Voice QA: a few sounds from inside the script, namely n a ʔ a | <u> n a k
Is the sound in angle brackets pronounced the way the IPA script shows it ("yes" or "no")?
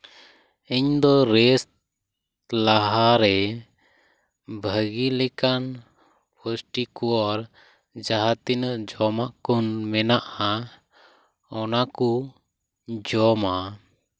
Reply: no